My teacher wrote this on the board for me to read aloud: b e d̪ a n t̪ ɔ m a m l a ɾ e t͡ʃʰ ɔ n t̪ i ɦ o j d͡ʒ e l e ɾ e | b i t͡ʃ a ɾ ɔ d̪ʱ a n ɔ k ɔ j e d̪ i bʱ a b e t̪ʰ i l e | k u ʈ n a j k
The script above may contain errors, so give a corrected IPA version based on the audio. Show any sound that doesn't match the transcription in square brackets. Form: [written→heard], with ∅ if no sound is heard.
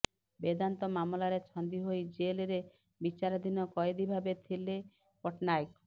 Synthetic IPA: b e d̪ a n t̪ ɔ m a m l a ɾ e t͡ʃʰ ɔ n [t̪→d̪] i ɦ o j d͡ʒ e l e ɾ e | b i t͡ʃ a ɾ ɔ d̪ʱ [a→i] n ɔ k ɔ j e d̪ i bʱ a b e t̪ʰ i l e | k [u→ɔ] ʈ n a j k